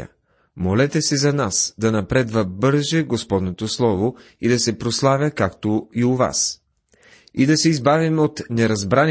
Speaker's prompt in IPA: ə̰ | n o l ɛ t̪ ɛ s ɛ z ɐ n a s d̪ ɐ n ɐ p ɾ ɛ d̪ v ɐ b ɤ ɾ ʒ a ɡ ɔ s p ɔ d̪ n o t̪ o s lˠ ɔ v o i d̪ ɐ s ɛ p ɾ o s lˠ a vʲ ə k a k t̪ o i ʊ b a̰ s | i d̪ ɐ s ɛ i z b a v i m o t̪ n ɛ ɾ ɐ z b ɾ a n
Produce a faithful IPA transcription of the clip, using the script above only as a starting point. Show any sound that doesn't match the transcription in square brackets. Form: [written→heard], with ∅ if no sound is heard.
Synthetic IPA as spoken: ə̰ | [n→m] o l ɛ t̪ ɛ s ɛ z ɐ n a s d̪ ɐ n ɐ p ɾ ɛ d̪ v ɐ b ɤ ɾ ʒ [a→ɛ] ɡ [ɔ→o] s p ɔ d̪ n o t̪ o s lˠ ɔ v o i d̪ ɐ s ɛ p ɾ o s lˠ a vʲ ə k a k t̪ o i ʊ [b→v] a̰ s | i d̪ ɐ s ɛ i z b a v i m o t̪ n ɛ ɾ ɐ z b ɾ a n